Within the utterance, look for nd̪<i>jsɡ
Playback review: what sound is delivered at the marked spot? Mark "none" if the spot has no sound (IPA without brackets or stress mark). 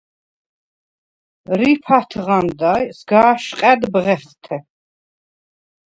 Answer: a